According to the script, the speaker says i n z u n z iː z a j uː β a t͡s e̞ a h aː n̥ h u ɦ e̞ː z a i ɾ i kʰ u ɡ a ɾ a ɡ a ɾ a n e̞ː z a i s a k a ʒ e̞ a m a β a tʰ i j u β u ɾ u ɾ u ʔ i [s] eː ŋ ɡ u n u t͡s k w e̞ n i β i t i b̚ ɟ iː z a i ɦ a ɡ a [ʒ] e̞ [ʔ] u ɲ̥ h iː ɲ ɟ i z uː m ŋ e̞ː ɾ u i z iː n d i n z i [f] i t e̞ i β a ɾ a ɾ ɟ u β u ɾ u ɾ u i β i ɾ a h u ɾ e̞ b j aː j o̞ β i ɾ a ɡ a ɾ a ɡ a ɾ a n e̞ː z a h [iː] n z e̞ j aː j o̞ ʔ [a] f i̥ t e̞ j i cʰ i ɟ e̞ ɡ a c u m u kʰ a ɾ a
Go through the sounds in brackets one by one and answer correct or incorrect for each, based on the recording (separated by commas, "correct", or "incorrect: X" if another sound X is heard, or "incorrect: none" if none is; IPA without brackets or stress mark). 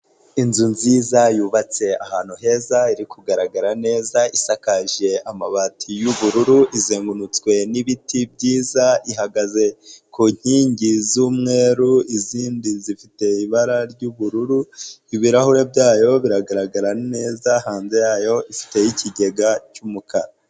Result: incorrect: z, incorrect: z, incorrect: k, correct, incorrect: aː, incorrect: i